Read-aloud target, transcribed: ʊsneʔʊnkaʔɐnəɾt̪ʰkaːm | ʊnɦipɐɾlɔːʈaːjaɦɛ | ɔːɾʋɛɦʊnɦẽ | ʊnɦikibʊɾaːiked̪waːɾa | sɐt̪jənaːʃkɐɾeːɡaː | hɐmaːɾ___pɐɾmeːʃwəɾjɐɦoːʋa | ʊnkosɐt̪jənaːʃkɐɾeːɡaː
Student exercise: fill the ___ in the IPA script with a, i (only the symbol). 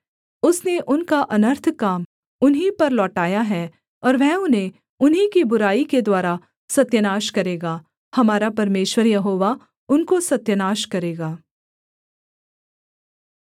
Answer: a